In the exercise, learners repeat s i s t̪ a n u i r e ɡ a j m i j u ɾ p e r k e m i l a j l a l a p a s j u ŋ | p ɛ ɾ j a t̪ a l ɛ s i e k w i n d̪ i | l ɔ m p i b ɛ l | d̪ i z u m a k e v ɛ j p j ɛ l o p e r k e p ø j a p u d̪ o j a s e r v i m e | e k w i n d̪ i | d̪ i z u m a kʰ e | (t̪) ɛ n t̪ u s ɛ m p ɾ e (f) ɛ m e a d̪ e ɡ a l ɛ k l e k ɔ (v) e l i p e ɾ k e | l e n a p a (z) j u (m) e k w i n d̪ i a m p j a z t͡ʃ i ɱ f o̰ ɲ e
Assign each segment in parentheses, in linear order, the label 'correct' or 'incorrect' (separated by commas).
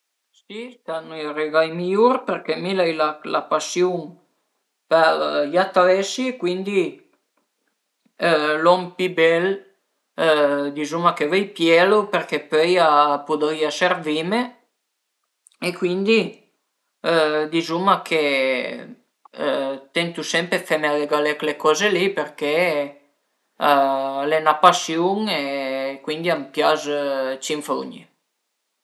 correct, correct, incorrect, incorrect, incorrect